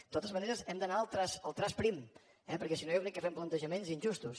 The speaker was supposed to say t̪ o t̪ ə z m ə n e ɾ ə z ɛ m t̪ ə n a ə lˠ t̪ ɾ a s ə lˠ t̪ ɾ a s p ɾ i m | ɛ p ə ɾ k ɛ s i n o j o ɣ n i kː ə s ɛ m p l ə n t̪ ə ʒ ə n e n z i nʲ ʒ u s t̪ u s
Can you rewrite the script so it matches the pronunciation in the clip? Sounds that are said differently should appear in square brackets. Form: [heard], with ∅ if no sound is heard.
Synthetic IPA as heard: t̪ o t̪ ə z m ə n e ɾ ə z ɛ m [d̪] ə n a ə lˠ t̪ ɾ a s ə lˠ t̪ ɾ a s p ɾ i m | ɛ p ə ɾ k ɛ s i n o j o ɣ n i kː ə [f] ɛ m p l ə n t̪ ə ʒ ə [m] e n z i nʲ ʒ u s t̪ u s